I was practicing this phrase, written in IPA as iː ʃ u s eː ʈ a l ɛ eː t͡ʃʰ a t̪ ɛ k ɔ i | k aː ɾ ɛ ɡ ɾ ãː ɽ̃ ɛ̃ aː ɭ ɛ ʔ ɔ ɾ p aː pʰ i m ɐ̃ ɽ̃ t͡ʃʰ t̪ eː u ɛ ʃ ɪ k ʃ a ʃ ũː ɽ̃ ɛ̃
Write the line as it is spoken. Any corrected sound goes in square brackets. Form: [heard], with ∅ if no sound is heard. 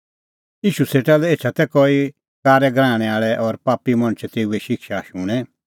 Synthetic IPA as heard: iː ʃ u s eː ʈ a l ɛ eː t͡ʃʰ a t̪ ɛ k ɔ i | k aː ɾ ɛ ɡ ɾ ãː ɽ̃ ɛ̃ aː ɭ ɛ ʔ ɔ ɾ p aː [p] i m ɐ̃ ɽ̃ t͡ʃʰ t̪ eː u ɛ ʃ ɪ k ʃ a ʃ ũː ɽ̃ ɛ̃